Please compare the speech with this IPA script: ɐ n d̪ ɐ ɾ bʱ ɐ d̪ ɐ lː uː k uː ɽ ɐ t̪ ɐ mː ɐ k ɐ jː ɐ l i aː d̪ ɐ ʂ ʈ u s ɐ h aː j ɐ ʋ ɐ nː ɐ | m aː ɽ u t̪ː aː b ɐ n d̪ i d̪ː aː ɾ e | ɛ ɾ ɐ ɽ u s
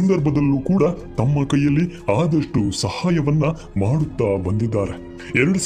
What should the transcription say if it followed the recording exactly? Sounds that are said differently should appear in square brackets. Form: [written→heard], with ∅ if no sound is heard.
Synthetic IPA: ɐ n d̪ ɐ ɾ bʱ ɐ d̪ ɐ lː uː k uː ɽ ɐ t̪ ɐ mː ɐ k ɐ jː ɐ [l→lː] i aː d̪ ɐ ʂ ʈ u s ɐ h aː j ɐ ʋ ɐ nː ɐ | m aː ɽ u t̪ː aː b ɐ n d̪ i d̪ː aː ɾ e | ɛ ɾ ɐ ɽ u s